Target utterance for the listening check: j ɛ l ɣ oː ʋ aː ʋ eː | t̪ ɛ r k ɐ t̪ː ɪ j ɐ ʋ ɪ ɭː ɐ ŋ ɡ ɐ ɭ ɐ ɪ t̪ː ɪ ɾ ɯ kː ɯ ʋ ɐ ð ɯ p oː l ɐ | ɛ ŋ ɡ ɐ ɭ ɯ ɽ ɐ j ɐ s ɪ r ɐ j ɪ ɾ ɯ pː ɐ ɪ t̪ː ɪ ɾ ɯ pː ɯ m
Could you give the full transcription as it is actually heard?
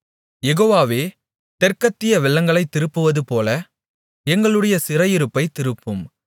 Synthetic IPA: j ɛ ɣ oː ʋ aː ʋ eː | t̪ ɛ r k ɐ t̪ː ɪ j ɐ ʋ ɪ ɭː ɐ ŋ ɡ ɐ ɭ ɐ ɪ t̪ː ɪ ɾ ɯ pː ɯ ʋ ɐ ð ɯ p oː l ɐ | ɛ ŋ ɡ ɐ ɭ ɯ ɽ ɐ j ɐ s ɪ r ɐ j ɪ ɾ ɯ pː ɐ ɪ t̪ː ɪ ɾ ɯ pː ɯ m